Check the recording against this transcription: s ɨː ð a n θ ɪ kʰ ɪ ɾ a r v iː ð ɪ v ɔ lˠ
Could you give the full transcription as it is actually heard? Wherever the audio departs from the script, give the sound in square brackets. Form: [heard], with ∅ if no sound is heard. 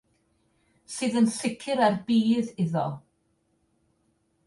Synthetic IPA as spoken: s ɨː ð [ə] n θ ɪ kʰ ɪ ɾ a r [b] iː ð ɪ [ð] ɔ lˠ